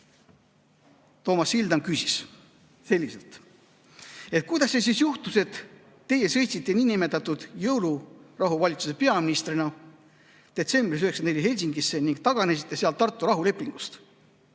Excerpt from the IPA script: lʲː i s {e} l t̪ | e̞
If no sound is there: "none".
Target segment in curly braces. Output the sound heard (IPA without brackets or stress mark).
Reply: e